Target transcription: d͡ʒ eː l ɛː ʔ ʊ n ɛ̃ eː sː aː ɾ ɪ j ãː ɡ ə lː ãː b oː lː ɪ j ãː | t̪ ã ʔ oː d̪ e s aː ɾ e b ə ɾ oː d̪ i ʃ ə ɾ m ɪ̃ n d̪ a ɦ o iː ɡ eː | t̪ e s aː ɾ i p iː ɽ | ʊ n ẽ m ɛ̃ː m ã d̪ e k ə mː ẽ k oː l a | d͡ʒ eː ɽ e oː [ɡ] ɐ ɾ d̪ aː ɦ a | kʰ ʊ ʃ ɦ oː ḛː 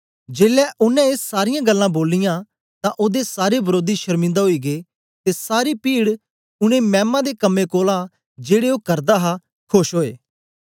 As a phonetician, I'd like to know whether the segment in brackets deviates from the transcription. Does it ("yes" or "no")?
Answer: yes